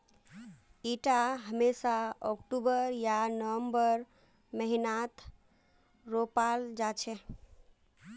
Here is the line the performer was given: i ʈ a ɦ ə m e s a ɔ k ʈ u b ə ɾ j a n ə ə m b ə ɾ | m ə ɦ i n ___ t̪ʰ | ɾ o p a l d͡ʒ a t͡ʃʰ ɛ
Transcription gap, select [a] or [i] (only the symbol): a